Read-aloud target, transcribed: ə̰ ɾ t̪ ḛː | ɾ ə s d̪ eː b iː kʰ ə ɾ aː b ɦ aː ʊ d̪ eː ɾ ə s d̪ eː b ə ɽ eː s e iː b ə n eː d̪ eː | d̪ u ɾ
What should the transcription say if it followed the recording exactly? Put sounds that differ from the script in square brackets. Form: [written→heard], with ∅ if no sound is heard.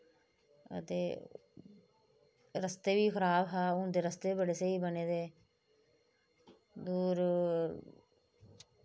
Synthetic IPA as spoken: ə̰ [ɾ→∅] t̪ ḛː | ɾ ə s [d̪→t̪] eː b iː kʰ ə ɾ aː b ɦ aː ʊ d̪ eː ɾ ə s [d̪→t̪] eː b ə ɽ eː s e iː b ə n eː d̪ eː | d̪ [u→uː] ɾ